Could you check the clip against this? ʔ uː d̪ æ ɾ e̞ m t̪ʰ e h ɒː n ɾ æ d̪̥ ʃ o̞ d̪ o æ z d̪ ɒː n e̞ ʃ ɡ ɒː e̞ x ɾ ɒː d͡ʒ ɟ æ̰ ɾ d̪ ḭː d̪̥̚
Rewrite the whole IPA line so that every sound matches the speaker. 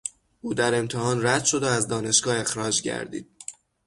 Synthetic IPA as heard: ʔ uː d̪ æ ɾ e̞ m t̪ʰ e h ɒː n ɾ æ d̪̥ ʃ o̞ d̪ o æ z d̪ ɒː n e̞ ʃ ɡ ɒː e̞ x ɾ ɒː d͡ʒ ɟ æ̰ ɾ d̪ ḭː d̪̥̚